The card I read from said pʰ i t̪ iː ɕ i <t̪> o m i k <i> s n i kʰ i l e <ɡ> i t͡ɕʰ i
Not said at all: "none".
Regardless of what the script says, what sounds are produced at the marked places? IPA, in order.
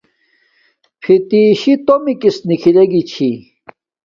t̪, i, ɡ

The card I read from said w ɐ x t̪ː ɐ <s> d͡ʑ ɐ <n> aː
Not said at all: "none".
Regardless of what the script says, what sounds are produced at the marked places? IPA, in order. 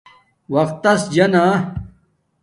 s, n

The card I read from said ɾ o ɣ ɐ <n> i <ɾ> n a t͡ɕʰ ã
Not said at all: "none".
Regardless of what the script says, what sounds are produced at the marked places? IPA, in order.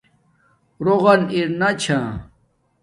n, ɾ

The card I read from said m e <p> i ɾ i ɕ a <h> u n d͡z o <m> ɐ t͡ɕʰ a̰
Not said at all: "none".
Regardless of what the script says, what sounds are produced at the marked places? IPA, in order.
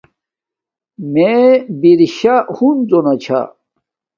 b, h, n

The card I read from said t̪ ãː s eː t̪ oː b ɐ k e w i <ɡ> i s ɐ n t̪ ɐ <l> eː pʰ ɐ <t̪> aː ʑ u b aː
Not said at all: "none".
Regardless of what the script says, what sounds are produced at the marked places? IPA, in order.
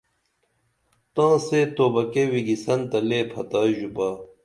ɡ, l, t̪

